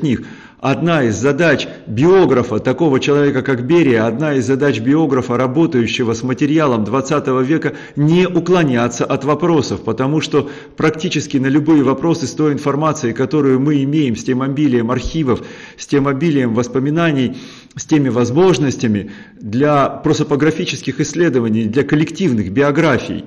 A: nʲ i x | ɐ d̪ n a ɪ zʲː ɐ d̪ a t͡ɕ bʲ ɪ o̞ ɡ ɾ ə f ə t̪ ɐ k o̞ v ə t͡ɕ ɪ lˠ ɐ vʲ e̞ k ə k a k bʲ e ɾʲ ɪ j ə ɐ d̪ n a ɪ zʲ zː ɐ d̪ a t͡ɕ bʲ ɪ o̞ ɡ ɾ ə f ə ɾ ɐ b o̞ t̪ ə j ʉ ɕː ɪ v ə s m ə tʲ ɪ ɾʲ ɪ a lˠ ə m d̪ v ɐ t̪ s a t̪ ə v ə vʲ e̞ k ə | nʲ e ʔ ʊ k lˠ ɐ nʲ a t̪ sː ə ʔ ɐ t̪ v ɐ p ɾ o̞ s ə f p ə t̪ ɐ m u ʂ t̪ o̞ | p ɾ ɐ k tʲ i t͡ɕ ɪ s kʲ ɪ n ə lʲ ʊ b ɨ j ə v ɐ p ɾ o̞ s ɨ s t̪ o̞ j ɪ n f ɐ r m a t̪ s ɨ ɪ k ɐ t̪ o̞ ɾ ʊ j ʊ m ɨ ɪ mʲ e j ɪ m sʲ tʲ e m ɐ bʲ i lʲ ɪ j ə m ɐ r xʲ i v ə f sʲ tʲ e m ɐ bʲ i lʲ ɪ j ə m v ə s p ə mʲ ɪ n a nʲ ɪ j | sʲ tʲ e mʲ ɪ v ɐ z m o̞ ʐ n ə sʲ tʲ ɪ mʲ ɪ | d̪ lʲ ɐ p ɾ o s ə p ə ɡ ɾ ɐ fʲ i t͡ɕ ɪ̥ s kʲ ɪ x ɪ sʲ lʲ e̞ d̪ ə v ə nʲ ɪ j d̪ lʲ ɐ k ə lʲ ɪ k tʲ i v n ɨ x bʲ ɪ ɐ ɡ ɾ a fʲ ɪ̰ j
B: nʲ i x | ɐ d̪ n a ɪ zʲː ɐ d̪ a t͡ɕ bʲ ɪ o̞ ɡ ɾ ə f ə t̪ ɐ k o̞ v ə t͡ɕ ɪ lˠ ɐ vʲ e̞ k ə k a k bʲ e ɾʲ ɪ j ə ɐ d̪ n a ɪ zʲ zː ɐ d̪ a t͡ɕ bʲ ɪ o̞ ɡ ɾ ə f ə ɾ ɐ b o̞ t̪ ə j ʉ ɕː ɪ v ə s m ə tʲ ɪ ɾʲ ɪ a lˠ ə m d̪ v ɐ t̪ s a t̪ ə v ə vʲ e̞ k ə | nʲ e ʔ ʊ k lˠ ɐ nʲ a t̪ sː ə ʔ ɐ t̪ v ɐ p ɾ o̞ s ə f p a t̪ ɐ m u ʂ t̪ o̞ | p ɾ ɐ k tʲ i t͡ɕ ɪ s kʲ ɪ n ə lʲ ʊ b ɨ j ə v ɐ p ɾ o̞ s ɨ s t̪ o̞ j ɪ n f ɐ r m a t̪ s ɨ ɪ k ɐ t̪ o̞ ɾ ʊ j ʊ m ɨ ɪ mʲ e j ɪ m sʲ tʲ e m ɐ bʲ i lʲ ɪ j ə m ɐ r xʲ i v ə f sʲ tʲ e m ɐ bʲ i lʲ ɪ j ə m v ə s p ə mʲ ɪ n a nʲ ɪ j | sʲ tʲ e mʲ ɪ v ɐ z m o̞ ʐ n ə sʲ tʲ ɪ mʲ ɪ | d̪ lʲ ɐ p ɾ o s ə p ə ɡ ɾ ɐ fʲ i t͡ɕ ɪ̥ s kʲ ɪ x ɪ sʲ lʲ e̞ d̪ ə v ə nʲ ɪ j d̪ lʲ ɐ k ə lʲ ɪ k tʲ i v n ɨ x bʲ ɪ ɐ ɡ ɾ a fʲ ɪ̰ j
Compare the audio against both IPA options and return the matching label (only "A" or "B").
A